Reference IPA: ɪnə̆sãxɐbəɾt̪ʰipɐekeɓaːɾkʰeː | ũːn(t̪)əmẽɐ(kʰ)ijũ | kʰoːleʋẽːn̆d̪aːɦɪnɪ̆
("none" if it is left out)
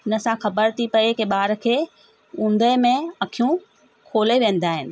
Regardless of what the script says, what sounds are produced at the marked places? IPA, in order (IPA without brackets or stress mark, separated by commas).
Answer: d̪, kʰ